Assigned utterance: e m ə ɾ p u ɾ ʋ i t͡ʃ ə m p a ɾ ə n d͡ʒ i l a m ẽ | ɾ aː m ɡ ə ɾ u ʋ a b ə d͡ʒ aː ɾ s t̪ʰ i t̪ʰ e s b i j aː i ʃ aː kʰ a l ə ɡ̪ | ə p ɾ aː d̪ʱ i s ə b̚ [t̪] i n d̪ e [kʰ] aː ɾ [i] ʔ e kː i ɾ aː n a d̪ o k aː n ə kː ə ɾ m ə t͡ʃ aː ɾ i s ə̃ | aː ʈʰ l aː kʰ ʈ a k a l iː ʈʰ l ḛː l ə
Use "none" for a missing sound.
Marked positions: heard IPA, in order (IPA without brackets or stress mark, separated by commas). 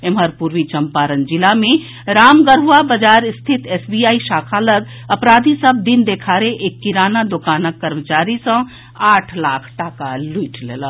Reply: d̪, kʰ, e